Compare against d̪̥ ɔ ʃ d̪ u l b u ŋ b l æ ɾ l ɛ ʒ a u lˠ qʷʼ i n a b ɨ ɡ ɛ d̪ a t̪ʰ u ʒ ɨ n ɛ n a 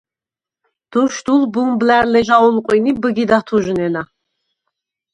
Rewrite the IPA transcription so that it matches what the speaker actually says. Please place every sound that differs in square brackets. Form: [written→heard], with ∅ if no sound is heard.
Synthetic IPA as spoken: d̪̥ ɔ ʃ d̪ u l b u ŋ b l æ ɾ l ɛ ʒ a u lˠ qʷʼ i n [a→i] b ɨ ɡ [ɛ→i] d̪ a t̪ʰ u ʒ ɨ n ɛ n a

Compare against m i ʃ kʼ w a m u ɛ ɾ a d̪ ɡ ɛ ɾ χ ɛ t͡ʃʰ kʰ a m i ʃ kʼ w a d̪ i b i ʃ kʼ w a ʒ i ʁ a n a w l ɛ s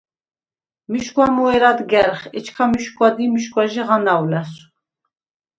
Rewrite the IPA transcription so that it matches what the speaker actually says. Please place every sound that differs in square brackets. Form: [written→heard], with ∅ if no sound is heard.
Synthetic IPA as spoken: m i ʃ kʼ w a m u ɛ ɾ a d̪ ɡ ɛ ɾ χ ɛ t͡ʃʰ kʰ a m i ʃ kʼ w a d̪ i [b→m] i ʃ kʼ w a ʒ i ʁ a n a w l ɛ s

